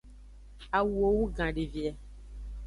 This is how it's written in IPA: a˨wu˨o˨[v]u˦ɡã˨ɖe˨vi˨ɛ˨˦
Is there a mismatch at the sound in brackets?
yes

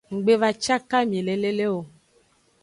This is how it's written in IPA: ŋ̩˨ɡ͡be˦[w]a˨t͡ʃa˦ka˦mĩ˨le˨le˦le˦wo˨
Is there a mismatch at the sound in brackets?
yes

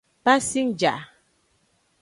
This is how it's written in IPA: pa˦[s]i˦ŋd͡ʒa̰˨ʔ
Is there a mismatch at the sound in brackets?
no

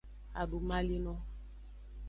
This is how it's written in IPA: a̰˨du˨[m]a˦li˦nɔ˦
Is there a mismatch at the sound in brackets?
no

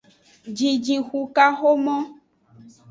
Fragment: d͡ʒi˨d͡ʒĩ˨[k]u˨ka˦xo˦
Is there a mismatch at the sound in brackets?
yes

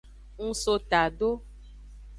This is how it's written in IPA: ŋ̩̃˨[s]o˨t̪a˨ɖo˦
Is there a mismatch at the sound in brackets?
no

